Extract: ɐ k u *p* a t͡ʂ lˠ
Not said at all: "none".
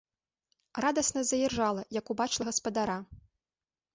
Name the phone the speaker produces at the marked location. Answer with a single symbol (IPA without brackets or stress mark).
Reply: b